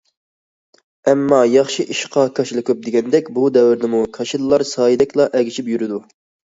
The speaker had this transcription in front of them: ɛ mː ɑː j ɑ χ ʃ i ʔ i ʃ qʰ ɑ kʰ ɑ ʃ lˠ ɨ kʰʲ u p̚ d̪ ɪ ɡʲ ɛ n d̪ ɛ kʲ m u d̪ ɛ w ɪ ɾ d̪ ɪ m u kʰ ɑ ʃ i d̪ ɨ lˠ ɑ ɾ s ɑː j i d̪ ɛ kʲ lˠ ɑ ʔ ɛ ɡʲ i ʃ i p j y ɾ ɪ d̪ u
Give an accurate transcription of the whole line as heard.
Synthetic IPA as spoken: ɛ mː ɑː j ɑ χ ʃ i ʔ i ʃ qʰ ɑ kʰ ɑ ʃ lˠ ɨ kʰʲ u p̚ d̪ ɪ ɡʲ ɛ n d̪ ɛ kʲ b u d̪ ɛ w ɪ ɾ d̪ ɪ m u kʰ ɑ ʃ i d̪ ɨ lˠ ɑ ɾ s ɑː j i d̪ ɛ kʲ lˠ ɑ ʔ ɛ ɡʲ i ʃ i p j y ɾ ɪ d̪ u